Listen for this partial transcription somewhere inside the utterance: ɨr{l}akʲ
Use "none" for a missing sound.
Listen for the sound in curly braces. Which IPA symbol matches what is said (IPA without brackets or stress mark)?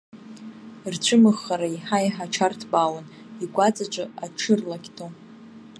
l